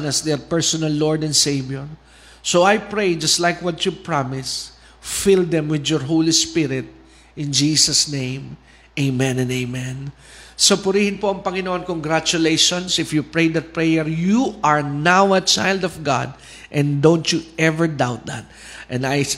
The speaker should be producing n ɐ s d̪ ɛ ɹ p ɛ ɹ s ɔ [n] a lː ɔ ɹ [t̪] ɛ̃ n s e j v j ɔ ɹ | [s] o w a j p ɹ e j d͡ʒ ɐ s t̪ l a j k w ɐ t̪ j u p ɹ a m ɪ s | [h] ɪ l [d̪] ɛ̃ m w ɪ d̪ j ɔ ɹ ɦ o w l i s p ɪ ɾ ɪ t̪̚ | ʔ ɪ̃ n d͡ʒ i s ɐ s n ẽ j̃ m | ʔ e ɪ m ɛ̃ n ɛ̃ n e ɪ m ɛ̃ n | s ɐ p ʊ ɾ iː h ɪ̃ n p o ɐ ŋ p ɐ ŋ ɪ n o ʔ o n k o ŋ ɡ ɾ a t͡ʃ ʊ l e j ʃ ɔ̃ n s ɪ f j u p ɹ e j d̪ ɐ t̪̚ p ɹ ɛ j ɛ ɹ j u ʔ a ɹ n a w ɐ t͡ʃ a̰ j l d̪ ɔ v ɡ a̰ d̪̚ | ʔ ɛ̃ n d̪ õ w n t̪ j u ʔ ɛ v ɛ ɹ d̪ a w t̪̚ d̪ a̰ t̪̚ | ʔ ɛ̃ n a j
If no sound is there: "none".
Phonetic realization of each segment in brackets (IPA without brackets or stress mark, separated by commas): n, d̪, s, f, d̪